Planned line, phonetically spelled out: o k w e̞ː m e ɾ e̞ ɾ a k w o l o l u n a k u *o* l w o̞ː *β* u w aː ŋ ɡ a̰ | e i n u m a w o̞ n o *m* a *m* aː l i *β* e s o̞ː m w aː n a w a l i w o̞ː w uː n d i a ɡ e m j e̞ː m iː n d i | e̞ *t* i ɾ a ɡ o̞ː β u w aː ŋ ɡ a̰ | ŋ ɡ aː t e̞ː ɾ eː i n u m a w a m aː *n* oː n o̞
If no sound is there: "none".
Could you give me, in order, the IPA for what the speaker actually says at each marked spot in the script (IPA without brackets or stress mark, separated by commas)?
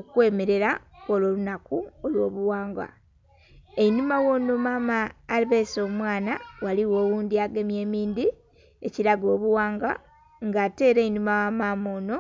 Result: o, β, m, m, β, c, m